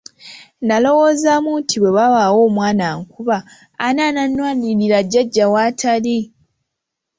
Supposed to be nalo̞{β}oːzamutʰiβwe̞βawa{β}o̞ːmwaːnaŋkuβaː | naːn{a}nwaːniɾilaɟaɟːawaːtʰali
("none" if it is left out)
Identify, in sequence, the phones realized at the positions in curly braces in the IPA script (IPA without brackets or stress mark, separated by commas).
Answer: w, w, a